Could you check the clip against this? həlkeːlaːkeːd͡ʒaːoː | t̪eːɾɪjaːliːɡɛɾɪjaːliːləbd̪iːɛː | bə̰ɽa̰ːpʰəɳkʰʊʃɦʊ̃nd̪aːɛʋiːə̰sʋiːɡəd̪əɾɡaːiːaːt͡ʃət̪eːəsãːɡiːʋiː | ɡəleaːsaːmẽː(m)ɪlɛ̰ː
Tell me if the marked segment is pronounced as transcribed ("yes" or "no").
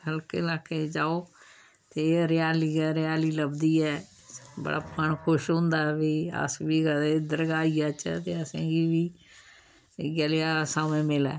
yes